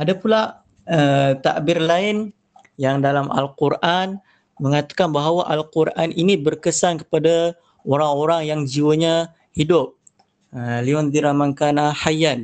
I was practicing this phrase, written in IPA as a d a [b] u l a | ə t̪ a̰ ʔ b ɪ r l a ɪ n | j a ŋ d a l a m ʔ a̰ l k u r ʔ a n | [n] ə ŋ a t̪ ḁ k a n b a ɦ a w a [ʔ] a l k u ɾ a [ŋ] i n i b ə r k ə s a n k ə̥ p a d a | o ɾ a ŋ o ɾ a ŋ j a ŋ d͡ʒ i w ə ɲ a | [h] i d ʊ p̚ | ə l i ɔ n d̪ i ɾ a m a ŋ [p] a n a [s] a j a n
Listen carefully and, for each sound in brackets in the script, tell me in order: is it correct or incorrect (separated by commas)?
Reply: incorrect, incorrect, correct, incorrect, correct, incorrect, incorrect